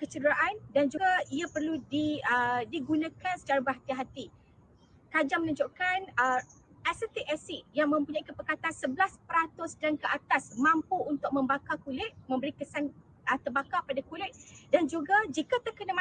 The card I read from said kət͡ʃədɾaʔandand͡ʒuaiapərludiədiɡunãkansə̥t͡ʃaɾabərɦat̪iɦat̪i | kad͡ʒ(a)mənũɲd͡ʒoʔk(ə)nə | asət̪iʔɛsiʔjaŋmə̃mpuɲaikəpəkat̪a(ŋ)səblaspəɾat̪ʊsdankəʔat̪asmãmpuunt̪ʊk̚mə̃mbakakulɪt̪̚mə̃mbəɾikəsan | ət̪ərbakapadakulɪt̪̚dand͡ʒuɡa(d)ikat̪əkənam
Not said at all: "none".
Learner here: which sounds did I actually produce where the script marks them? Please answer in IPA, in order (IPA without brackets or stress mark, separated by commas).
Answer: a, a, n, d͡ʒ